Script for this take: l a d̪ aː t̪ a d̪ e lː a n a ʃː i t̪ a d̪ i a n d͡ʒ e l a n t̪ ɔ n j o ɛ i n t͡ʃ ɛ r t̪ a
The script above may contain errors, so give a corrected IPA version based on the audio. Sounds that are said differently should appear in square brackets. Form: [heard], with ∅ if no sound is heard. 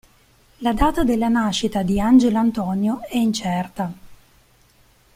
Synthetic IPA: l a d̪ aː t̪ a d̪ e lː a n a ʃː i t̪ a d̪ i a n d͡ʒ e l a n t̪ ɔ n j o ɛ i n t͡ʃ ɛ r t̪ a